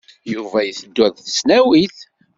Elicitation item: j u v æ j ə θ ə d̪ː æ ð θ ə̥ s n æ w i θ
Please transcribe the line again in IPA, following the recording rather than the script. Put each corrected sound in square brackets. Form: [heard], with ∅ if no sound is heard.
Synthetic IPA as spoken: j u v æ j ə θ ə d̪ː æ ð θ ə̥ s n æ w i θ